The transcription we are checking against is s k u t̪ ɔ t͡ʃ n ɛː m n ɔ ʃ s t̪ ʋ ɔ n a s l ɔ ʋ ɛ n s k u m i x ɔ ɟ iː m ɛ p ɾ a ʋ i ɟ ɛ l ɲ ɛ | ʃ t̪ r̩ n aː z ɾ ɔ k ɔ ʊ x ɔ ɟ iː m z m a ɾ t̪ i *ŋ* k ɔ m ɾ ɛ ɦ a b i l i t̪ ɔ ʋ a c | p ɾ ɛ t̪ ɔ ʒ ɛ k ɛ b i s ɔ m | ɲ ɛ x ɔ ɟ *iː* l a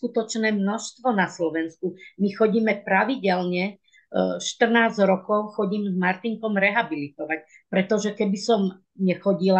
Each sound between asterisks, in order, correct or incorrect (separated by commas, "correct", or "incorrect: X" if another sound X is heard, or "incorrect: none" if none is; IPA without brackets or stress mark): correct, incorrect: i